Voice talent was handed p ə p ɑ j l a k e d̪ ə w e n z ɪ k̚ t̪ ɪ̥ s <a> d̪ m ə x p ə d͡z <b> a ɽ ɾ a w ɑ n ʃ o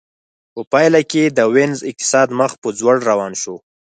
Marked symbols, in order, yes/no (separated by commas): no, no